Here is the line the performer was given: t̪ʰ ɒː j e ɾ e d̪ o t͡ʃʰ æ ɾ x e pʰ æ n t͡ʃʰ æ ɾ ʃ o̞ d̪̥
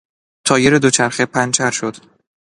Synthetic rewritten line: t̪ʰ ɒː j e ɾ e d̪ o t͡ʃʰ æ ɾ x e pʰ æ n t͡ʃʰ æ ɾ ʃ o̞ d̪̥